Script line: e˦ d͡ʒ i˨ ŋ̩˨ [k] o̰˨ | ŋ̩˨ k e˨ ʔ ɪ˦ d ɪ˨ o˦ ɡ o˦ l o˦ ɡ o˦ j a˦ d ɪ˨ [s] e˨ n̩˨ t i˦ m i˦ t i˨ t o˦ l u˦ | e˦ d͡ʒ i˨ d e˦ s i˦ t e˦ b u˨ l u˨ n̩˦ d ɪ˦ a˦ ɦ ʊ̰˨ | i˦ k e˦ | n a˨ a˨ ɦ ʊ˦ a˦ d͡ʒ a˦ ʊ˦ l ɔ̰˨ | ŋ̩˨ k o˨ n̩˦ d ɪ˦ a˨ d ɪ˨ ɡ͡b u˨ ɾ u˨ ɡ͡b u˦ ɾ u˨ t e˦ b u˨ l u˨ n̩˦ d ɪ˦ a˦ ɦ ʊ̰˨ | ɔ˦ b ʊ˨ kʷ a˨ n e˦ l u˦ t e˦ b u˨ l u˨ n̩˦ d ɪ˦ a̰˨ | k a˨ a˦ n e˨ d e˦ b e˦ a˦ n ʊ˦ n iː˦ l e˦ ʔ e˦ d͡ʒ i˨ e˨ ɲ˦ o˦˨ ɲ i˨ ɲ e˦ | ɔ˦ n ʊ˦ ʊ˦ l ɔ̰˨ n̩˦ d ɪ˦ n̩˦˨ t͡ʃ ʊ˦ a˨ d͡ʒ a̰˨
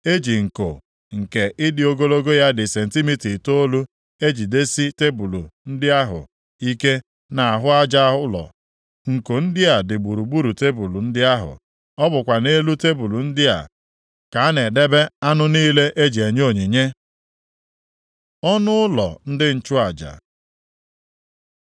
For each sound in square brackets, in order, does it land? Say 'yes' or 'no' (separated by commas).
yes, yes